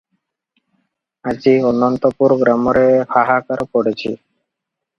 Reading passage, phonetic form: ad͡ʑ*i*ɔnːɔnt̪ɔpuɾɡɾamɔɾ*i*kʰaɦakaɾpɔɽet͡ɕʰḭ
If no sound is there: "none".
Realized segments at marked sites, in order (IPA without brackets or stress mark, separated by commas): i, e